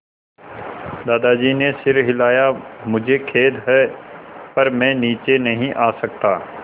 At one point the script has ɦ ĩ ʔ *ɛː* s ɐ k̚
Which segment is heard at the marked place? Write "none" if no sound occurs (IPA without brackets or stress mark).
aː